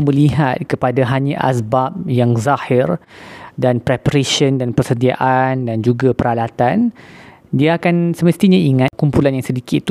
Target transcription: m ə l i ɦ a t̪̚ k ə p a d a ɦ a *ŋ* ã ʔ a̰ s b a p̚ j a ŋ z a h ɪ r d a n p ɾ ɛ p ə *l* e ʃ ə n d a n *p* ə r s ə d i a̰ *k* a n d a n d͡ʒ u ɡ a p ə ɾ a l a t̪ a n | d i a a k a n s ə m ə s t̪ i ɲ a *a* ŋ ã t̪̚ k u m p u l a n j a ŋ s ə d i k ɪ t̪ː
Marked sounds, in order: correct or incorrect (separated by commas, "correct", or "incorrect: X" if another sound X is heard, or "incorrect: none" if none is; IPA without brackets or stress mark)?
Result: incorrect: ɲ, incorrect: ɾ, correct, incorrect: ʔ, incorrect: i